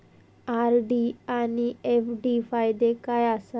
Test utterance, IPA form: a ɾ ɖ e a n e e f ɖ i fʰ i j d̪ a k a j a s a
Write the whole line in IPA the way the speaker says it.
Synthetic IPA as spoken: a ɾ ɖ i a n i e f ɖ i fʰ a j d̪ e k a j a s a